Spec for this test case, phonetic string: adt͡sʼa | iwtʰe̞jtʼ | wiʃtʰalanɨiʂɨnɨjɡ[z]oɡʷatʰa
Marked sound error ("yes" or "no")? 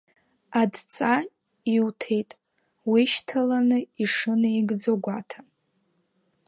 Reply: yes